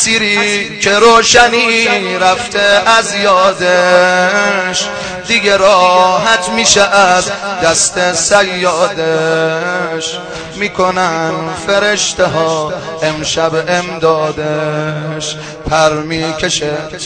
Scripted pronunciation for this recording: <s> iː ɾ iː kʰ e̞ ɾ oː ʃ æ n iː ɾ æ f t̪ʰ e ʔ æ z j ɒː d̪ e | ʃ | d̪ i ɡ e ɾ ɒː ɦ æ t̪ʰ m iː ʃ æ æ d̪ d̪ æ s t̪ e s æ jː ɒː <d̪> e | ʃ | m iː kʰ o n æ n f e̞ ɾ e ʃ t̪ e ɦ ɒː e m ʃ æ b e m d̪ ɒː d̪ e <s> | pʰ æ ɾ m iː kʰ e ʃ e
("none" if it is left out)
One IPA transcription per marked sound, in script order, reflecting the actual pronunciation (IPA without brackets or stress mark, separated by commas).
s, d̪, ʃ